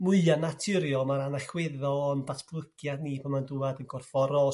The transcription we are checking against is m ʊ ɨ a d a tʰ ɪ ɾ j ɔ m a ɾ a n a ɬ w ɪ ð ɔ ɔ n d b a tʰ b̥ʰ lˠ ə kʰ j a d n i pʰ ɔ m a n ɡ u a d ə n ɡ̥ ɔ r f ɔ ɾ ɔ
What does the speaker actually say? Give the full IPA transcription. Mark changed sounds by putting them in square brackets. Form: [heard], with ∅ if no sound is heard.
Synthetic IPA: m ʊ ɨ a [n] a tʰ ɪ ɾ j ɔ m a ɾ a n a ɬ w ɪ ð ɔ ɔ n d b a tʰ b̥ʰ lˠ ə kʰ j a d n i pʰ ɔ m a n [d] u a d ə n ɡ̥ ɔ r f ɔ ɾ ɔ